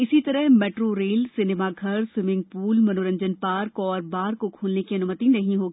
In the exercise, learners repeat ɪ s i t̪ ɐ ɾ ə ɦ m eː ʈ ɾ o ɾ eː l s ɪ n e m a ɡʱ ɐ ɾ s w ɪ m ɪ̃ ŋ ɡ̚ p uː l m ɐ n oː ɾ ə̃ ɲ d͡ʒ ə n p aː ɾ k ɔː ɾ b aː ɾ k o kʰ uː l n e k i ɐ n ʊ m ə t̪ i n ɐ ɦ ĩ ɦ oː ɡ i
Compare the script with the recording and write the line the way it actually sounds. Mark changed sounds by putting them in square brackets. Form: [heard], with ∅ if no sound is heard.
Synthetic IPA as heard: ɪ s i t̪ ɐ ɾ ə ɦ m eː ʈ ɾ o ɾ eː l s ɪ n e m a ɡʱ ɐ ɾ s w ɪ m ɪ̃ ŋ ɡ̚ p uː l m ɐ n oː ɾ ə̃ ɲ d͡ʒ ə n p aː ɾ k ɔː ɾ b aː ɾ k o kʰ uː l n e k i ɐ n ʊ m ə t̪ i n ɐ ɦ ĩ ɦ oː ɡ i